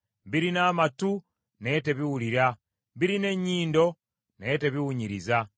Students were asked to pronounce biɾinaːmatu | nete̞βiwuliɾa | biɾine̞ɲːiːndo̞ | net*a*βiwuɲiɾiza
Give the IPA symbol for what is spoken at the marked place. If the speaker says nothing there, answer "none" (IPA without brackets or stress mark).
e